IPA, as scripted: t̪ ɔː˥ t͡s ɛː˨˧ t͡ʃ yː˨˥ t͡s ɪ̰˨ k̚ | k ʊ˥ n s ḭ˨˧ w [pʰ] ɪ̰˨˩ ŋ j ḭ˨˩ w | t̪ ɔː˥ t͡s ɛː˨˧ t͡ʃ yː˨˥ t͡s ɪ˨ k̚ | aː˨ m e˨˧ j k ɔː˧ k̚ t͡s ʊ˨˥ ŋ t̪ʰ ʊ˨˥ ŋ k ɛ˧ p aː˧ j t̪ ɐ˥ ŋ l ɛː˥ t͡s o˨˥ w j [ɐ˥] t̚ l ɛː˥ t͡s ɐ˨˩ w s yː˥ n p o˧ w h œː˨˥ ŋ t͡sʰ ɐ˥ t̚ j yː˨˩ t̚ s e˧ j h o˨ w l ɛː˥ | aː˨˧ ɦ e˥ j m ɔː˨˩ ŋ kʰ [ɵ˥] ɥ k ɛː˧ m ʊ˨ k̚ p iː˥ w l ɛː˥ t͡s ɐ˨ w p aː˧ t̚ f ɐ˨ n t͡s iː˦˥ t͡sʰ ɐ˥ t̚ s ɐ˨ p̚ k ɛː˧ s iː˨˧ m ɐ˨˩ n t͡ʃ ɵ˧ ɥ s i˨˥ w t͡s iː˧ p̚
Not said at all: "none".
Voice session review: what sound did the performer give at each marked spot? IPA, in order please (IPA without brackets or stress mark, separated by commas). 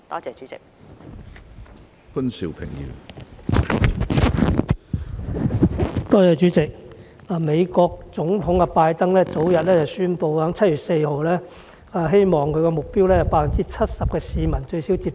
pʰ, ɐ˨, ɵ˧